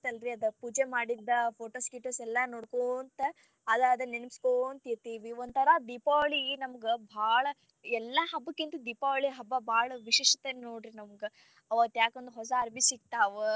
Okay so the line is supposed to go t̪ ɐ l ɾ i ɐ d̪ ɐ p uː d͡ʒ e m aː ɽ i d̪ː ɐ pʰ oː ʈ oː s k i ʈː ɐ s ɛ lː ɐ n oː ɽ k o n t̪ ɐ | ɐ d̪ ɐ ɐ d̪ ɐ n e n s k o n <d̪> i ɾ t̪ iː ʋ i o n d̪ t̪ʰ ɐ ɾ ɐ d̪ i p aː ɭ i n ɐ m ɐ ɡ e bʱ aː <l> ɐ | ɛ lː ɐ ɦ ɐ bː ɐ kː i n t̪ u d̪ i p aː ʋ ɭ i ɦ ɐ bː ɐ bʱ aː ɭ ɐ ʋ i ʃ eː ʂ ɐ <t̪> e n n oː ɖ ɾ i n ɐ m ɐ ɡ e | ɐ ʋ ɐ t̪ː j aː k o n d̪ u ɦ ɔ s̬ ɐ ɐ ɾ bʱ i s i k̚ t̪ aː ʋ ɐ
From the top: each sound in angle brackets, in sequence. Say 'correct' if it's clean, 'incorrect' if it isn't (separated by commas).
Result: incorrect, incorrect, correct